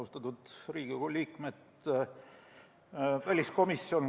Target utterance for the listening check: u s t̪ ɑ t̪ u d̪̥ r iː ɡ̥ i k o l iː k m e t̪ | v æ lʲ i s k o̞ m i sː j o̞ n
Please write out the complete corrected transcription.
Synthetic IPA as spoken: u s t̪ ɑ t̪ u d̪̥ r iː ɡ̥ i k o l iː k m e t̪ | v æ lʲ i s k o̞ m i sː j o̞ n

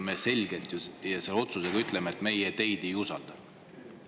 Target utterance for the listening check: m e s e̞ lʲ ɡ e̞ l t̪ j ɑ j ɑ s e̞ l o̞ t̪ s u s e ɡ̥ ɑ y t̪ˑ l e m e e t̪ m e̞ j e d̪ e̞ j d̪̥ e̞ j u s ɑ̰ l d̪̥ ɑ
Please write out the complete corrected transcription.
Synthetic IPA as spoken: m e s e̞ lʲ ɡ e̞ l t̪ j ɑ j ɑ s e̞ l o̞ t̪ s u s e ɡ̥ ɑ y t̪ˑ l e m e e t̪ m e̞ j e t̪ e̞ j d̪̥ e̞ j u s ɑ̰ l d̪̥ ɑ

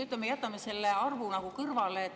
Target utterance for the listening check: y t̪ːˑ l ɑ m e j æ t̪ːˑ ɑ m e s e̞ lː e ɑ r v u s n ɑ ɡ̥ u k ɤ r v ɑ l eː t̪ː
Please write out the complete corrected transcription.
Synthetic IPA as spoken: y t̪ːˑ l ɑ m e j æ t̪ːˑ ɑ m e s e̞ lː e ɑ r v u n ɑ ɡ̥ u k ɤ r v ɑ l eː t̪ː

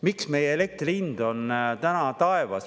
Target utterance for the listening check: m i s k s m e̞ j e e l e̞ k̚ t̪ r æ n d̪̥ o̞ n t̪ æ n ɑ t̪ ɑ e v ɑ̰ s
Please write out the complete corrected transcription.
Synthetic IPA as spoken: m i k s m e̞ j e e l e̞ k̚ t̪ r i n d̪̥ o̞ n t̪ æ n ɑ t̪ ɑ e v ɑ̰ s

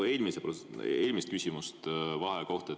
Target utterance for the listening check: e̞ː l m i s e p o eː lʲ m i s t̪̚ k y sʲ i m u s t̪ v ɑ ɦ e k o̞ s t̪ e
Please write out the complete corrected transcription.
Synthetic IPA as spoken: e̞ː l m i s e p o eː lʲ m i s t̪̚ k y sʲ i m u s t̪ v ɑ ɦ e k o̞ h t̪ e

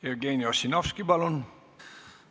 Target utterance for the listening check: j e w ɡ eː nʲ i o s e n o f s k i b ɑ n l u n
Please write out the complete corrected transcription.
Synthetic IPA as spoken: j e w ɡ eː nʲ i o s i n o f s k i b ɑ l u n

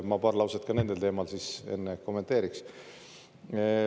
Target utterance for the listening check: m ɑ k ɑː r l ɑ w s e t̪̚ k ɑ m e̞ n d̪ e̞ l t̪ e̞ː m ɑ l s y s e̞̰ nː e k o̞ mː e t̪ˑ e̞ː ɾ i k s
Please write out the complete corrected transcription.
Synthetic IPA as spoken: m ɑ p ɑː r l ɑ w s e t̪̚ k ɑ n e̞ n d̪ e̞ l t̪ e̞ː m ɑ l s i s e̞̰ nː e k o̞ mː e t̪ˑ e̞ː ɾ i k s

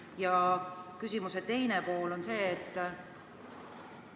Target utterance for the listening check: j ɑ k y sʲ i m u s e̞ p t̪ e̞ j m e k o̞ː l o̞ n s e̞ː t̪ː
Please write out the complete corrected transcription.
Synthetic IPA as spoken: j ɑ k y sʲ i m u s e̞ t̪ e̞ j n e p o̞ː l o̞ n s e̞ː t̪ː

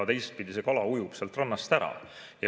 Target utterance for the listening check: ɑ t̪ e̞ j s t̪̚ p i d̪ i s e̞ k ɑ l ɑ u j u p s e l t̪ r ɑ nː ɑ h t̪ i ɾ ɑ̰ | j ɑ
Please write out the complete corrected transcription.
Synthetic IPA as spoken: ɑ t̪ e̞ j s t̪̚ p i d̪ i s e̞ k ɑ l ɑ u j u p s e l t̪ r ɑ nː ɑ s t̪ æ ɾ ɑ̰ | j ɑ

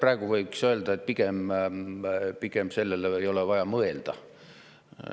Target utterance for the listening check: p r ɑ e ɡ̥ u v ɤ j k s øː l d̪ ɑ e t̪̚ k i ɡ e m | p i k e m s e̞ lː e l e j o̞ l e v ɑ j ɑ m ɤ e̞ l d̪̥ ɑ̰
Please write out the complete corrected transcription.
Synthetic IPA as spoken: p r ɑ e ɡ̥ u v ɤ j k s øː l d̪ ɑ e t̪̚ p i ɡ e m | p i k e m s e̞ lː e l e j o̞ l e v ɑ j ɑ m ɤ e̞ l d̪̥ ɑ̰

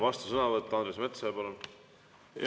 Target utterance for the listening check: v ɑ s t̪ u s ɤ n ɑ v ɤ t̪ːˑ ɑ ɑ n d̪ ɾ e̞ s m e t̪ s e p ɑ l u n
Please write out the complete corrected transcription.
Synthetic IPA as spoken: v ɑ s t̪ u s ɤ n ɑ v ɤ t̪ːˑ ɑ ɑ n d̪ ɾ e̞ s m e t̪ s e p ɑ l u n

